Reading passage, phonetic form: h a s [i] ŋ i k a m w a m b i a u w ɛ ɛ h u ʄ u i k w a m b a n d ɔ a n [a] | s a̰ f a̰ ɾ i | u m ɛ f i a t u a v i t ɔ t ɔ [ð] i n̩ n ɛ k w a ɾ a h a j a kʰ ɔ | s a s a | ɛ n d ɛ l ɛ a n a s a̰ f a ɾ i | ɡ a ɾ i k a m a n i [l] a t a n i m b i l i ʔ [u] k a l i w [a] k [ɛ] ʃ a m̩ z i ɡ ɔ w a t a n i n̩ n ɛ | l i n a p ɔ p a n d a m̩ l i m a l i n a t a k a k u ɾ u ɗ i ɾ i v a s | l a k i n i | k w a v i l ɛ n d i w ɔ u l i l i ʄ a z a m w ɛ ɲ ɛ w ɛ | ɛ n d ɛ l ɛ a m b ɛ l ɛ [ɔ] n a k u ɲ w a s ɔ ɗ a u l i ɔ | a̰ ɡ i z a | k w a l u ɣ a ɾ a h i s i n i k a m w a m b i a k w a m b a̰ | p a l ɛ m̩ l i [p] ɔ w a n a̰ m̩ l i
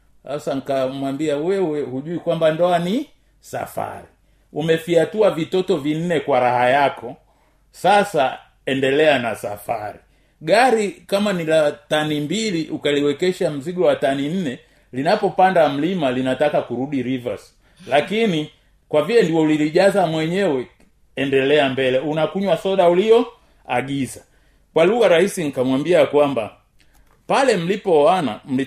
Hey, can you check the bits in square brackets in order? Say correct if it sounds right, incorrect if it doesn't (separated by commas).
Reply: incorrect, incorrect, incorrect, correct, correct, incorrect, correct, incorrect, correct